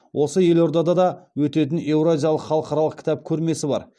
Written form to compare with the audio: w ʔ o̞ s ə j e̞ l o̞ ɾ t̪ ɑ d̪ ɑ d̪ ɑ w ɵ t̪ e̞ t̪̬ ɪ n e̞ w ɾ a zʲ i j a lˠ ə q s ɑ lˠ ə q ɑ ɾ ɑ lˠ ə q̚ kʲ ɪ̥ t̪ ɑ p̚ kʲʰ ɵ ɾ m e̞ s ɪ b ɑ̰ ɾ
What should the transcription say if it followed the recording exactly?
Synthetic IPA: w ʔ o̞ s ə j e̞ l o̞ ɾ d̪ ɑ d̪ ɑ d̪ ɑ w ɵ t̪ e̞ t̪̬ ɪ n e̞ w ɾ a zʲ i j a lˠ ə q χ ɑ lˠ ə q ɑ ɾ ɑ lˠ ə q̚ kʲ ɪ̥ t̪ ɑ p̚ kʲʰ ɵ ɾ m e̞ s ɪ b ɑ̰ ɾ